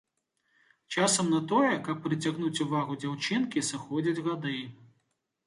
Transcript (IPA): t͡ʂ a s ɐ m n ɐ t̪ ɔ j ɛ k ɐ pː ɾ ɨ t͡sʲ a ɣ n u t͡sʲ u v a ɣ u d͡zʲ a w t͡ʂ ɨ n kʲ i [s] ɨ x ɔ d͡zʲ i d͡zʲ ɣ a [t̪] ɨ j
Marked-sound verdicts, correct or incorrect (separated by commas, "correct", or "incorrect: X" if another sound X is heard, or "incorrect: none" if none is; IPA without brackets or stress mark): correct, incorrect: d̪